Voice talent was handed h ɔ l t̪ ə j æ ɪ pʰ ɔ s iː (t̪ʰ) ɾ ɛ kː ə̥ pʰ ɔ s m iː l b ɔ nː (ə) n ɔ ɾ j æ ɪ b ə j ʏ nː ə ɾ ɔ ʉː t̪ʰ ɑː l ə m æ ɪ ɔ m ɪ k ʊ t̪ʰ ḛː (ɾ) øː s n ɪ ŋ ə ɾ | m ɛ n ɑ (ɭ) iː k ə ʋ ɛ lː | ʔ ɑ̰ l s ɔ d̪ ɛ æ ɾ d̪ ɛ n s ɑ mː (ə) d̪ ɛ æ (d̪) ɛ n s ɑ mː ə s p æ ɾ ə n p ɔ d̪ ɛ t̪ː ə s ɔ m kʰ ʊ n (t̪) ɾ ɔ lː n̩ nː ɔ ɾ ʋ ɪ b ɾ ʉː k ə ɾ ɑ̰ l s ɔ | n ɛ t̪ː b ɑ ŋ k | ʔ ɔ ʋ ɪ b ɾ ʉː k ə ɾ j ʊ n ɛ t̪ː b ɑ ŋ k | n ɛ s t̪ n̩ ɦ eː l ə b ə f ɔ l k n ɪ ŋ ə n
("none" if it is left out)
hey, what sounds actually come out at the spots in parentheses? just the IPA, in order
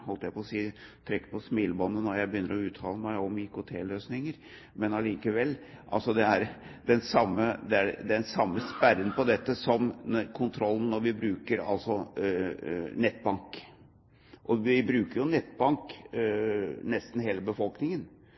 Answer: t̪ʰ, ə, l, l, ə, d̪, t̪ʰ

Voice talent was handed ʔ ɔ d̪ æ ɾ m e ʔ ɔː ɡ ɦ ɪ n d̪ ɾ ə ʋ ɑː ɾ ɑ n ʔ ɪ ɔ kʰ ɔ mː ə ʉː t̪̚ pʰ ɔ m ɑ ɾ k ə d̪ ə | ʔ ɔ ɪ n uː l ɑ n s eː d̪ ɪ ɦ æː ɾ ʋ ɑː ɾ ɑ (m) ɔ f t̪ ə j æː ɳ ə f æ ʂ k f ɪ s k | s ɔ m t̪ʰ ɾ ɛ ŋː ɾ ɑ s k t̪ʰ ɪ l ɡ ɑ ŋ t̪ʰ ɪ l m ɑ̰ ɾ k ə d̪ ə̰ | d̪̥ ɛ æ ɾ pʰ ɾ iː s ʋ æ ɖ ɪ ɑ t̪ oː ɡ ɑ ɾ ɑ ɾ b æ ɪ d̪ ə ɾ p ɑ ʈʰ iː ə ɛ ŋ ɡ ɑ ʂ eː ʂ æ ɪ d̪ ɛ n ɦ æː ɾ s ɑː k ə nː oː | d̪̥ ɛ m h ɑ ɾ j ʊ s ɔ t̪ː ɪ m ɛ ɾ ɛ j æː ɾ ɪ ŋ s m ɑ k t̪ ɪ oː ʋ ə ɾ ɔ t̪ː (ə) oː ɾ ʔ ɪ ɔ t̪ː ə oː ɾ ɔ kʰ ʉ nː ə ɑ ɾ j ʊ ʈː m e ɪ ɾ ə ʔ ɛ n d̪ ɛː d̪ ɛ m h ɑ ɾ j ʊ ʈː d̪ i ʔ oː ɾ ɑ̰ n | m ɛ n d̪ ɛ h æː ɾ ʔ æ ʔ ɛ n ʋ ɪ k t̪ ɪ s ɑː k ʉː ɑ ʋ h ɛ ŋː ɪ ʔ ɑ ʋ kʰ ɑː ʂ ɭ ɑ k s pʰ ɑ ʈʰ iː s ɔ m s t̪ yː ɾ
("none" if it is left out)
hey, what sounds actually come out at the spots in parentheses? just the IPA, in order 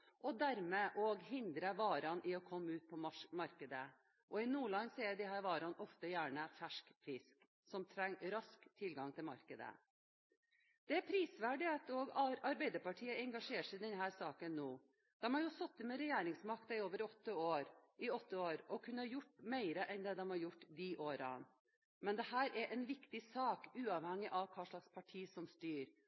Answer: n, ə

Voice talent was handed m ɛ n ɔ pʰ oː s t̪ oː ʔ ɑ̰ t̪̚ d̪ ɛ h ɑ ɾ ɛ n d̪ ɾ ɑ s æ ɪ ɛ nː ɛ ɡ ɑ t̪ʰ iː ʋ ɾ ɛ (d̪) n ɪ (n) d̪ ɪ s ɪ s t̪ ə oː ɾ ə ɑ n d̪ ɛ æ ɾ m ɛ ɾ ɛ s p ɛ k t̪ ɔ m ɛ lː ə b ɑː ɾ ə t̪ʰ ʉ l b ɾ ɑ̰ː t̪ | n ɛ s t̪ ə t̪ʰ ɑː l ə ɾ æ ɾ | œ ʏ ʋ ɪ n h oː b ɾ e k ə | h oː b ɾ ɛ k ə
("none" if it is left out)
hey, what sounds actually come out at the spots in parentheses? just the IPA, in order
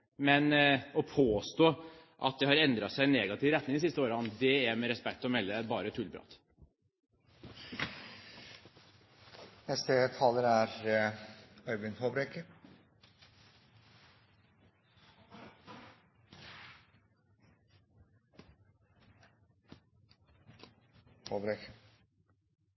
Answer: t̪, ŋ

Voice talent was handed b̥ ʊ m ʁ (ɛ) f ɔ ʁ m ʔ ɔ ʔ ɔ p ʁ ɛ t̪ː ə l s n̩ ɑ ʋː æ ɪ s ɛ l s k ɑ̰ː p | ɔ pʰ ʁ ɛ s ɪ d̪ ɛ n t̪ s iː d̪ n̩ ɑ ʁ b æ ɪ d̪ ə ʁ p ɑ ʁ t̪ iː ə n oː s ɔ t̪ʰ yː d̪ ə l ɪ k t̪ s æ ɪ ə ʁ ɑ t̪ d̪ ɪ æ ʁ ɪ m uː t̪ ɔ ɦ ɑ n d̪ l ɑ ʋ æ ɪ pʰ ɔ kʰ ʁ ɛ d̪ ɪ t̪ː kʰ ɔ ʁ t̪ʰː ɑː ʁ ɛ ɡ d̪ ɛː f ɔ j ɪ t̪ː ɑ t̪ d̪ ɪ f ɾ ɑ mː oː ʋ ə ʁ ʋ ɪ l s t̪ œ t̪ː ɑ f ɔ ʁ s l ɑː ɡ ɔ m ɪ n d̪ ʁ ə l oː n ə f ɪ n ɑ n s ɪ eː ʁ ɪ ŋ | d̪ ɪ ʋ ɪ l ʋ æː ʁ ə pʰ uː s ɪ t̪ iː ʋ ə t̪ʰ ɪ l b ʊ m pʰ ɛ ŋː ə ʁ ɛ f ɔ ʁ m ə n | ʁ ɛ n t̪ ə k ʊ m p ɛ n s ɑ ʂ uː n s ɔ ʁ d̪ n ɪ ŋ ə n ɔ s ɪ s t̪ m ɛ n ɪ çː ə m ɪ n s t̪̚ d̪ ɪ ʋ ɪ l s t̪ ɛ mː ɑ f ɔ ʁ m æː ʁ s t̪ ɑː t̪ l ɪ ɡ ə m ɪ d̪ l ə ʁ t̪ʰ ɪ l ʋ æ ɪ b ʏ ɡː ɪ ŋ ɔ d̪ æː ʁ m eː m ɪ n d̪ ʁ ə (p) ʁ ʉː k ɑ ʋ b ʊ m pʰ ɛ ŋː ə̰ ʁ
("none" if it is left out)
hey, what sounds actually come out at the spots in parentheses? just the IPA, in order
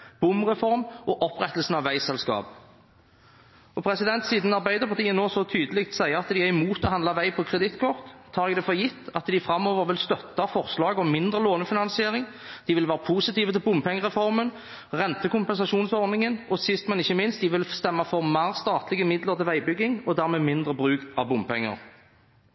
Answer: ɛ, b

